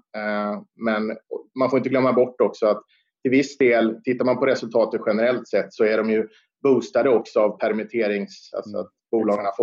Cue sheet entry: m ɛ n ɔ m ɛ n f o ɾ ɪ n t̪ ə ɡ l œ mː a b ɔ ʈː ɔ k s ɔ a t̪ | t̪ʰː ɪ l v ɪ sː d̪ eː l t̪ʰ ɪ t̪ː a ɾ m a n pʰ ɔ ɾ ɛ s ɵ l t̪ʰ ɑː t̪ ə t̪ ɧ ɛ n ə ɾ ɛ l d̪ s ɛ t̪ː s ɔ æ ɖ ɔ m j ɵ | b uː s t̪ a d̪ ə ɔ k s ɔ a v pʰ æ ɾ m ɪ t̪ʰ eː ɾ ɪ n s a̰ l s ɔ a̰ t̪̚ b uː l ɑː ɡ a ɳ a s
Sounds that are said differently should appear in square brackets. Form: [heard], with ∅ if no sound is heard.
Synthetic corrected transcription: m ɛ n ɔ m [a] n f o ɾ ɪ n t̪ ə ɡ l œ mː a b ɔ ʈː ɔ k s ɔ a t̪ | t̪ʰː ɪ l v ɪ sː d̪ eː l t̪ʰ ɪ t̪ː a ɾ m a n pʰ ɔ ɾ ɛ s ɵ l t̪ʰ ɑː t̪ ə t̪ ɧ ɛ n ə ɾ ɛ l [t̪] s ɛ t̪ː s ɔ æ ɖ ɔ m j ɵ | b uː s t̪ a d̪ ə ɔ k s ɔ a v pʰ æ ɾ m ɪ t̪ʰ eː ɾ ɪ [ŋ] s a̰ l s ɔ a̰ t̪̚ b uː l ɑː ɡ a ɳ a [f]